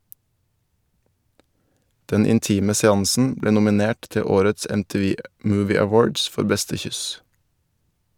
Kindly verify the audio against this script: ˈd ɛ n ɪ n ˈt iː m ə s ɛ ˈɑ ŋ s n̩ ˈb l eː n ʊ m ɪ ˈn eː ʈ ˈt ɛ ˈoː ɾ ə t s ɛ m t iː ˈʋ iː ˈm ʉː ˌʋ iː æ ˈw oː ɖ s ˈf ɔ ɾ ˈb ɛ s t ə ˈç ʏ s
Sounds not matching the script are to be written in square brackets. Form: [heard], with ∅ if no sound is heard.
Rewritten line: ˈd ɛ n ɪ n ˈt iː m ə s ɛ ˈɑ ŋ s n̩ ˈb l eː n ʊ m ɪ ˈn eː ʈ ˈt ɛ ˈoː ɾ ə t s ɛ m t iː ˈʋ iː ˈm ʉː ˌʋ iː æ ˈw oː ɖ s ˈf ɔ ɾ ˈb ɛ s t ə ˈç ʏ s